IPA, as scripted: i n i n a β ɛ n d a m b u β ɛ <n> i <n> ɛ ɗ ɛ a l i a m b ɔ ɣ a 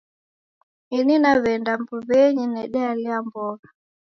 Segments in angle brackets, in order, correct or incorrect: incorrect, correct

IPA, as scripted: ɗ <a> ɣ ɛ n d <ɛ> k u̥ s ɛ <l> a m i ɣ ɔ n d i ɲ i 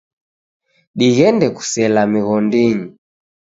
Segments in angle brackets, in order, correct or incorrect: incorrect, correct, correct

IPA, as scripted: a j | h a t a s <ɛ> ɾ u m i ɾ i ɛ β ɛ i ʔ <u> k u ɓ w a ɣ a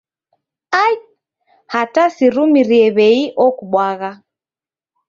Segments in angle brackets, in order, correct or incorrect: incorrect, incorrect

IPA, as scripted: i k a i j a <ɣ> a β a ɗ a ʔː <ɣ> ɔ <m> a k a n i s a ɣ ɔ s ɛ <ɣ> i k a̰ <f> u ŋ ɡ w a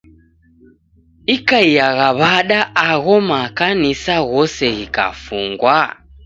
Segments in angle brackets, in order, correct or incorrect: correct, correct, correct, correct, correct

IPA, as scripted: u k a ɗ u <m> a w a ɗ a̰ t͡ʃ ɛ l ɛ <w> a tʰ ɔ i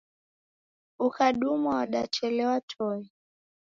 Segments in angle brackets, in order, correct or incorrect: correct, correct

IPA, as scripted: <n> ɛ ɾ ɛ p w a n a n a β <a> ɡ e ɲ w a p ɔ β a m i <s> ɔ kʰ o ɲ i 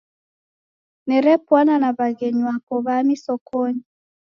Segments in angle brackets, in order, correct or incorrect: correct, correct, correct

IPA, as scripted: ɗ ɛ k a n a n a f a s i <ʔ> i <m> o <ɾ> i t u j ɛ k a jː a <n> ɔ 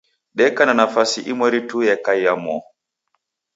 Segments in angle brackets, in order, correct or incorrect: correct, correct, correct, incorrect

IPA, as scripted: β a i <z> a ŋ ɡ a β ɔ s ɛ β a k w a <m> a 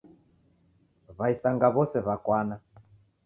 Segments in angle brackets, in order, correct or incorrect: incorrect, incorrect

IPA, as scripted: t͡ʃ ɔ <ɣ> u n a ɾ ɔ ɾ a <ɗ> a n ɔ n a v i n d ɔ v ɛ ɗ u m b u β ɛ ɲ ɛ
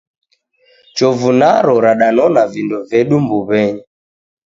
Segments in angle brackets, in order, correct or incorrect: incorrect, correct

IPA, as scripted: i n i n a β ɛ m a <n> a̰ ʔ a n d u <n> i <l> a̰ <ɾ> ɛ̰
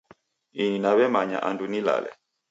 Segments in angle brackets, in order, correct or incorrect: incorrect, correct, correct, incorrect

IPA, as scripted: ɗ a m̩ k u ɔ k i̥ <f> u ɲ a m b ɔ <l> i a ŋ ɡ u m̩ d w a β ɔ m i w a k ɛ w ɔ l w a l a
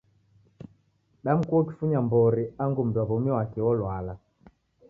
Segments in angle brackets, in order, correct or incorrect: correct, incorrect

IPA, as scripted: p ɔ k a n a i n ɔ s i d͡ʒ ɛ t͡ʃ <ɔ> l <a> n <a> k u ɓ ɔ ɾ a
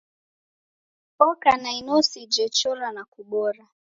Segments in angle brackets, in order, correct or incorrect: correct, correct, correct

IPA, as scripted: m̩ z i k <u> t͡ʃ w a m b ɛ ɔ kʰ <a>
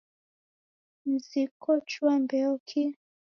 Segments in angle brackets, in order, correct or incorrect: incorrect, incorrect

